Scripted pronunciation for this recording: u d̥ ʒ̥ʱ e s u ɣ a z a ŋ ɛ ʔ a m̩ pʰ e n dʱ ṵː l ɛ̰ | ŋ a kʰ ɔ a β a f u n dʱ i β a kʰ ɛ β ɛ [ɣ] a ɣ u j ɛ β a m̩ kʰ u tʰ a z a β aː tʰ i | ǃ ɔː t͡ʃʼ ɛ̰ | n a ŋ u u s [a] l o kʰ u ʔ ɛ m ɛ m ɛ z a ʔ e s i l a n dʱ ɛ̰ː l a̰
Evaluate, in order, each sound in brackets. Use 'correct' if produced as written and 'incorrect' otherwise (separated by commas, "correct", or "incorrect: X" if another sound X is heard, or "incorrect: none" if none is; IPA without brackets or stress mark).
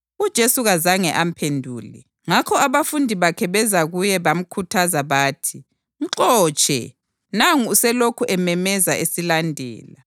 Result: incorrect: z, incorrect: ɛ